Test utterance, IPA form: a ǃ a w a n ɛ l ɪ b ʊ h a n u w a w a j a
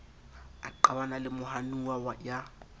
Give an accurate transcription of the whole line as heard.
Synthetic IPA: a ǃ a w a n a l ɪ m ʊ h a n u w a w a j a